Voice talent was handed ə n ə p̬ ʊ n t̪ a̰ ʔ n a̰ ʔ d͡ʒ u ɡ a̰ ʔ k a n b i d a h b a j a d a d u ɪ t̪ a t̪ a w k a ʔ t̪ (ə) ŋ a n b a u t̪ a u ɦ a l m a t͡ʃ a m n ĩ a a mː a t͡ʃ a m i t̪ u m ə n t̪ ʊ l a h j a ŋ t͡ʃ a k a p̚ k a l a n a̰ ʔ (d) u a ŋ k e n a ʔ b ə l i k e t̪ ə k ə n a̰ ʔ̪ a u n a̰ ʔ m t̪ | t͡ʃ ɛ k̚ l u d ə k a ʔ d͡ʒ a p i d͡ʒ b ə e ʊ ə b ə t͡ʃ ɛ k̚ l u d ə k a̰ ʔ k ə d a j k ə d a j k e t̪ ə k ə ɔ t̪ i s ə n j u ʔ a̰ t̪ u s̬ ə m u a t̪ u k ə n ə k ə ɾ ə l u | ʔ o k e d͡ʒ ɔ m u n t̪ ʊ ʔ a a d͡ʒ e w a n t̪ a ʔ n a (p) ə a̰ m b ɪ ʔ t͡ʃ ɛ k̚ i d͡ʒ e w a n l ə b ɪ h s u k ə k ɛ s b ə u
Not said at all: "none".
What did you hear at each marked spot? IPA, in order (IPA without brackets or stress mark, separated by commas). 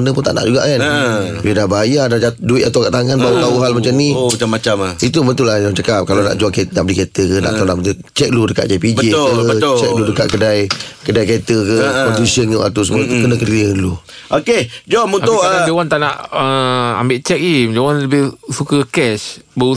a, d͡ʒ, ʔ